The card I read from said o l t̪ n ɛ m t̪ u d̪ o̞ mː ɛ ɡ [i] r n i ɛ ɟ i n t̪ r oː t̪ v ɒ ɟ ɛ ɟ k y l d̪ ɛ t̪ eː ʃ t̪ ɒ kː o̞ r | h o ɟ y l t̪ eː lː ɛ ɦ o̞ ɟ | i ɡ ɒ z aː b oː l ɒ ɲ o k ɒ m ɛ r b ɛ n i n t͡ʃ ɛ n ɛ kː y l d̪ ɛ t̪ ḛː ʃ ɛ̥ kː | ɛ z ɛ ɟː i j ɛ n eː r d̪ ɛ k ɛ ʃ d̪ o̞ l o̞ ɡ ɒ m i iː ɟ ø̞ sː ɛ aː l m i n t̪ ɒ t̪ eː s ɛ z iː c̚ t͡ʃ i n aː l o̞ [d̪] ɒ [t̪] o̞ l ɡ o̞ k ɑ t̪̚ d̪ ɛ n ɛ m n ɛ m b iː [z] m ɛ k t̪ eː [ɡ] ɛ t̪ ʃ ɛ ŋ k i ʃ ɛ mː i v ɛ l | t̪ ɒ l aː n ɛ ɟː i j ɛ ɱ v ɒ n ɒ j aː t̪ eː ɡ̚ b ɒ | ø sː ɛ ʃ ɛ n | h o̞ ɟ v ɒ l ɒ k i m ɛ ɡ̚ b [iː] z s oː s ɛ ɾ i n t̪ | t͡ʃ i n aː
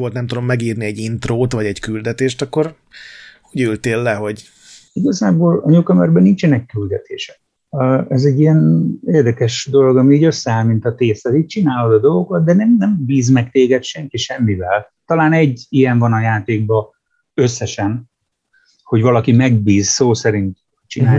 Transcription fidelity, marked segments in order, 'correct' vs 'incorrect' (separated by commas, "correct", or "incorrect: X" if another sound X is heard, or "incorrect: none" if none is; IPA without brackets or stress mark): incorrect: iː, correct, incorrect: d̪, correct, correct, correct